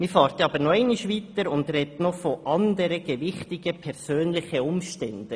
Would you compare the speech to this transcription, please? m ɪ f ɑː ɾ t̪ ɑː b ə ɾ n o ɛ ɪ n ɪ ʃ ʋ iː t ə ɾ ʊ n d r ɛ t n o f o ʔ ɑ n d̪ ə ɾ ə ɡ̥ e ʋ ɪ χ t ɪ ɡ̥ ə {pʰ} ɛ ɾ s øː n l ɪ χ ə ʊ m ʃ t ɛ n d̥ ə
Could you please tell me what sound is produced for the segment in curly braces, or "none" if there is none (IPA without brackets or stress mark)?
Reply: pʰ